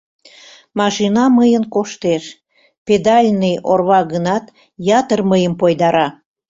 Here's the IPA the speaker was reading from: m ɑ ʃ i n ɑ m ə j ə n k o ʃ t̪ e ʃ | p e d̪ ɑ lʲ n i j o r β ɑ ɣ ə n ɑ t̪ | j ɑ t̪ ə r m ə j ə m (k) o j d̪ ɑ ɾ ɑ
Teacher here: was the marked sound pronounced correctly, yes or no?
no